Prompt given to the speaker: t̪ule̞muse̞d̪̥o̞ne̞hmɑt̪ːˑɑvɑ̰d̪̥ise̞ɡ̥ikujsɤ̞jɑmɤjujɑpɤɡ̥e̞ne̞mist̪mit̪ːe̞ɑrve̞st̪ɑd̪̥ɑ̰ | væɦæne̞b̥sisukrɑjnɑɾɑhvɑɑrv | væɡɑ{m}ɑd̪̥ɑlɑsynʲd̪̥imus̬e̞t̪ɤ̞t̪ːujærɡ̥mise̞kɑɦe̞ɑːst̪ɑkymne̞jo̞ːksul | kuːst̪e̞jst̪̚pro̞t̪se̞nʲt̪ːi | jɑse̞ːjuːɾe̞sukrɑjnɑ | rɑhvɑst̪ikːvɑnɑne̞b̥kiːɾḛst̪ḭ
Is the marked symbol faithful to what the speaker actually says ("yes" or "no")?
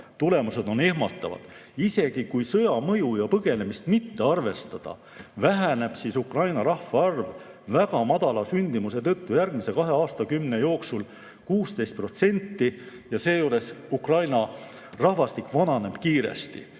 yes